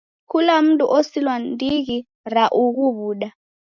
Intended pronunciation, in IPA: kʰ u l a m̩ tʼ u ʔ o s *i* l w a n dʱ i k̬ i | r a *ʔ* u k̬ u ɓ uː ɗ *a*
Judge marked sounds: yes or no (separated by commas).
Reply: yes, yes, yes